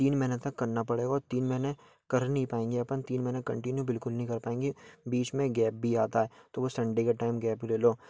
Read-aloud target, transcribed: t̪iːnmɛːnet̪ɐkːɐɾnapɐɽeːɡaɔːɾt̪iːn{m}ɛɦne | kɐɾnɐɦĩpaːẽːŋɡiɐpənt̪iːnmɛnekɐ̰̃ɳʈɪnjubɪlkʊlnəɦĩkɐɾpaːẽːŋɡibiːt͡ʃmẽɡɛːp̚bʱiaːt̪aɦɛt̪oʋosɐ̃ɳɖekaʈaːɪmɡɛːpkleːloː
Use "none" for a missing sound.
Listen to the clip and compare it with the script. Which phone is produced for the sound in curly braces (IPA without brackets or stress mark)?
m